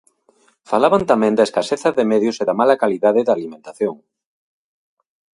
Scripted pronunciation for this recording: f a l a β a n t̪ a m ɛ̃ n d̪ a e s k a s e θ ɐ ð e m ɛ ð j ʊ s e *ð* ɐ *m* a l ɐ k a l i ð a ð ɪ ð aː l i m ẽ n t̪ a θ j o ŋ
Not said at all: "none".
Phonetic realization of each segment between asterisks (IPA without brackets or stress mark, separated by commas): ð, m